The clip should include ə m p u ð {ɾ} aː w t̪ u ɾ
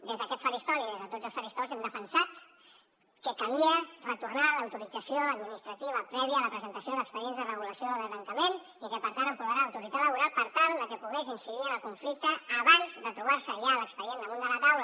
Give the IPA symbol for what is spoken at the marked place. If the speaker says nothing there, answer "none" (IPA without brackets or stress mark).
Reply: ɾ